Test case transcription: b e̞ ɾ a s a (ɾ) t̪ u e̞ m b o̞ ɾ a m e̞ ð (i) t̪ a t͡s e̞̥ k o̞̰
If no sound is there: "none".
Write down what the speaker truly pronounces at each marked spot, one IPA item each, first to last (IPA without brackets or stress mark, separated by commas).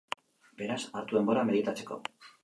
ɾ, i